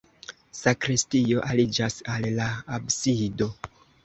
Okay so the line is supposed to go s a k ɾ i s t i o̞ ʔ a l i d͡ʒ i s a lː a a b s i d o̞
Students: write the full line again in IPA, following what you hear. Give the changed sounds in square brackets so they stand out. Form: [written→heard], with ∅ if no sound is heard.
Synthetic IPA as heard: s a k ɾ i s t i o̞ ʔ a l i d͡ʒ [i→a] s a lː a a b s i d o̞